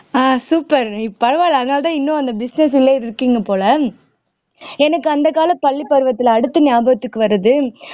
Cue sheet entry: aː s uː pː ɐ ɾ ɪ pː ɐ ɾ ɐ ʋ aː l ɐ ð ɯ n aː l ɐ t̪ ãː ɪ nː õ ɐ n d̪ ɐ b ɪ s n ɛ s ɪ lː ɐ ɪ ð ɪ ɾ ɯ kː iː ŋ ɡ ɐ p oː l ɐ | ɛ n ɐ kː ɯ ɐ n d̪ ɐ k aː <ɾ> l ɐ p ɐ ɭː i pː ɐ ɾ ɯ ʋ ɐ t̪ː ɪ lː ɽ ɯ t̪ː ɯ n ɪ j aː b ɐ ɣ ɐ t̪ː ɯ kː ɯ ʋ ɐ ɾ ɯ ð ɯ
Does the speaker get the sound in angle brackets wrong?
yes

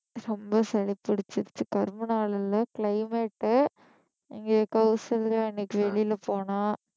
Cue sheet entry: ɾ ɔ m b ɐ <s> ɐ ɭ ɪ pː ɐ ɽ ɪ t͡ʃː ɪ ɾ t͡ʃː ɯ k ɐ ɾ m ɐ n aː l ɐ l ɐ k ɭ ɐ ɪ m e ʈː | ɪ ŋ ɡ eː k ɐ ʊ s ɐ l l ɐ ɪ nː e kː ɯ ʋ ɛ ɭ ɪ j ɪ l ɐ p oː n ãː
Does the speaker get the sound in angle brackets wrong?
no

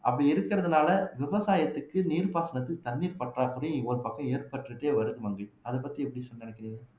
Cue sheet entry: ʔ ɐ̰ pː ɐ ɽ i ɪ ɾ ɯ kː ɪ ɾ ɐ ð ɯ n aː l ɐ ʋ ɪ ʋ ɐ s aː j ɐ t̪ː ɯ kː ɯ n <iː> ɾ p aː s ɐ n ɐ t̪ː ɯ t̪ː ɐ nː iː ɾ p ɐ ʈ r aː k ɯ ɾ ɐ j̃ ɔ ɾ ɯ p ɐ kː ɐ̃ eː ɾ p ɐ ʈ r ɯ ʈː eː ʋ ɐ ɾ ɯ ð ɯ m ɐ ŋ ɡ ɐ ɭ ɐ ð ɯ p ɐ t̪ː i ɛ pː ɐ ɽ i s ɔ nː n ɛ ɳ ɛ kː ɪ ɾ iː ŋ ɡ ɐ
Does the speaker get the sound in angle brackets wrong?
no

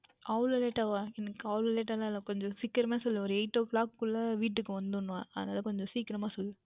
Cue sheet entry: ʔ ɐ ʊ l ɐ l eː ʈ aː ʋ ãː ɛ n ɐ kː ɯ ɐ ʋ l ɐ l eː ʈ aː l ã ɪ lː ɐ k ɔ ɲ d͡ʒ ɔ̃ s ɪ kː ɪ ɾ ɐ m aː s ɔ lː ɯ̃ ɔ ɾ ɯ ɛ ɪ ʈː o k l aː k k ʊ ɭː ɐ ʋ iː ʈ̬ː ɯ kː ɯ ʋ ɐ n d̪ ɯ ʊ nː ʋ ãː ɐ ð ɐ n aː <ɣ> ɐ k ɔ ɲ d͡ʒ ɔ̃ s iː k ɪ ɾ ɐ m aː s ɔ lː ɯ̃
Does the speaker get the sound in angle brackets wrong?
yes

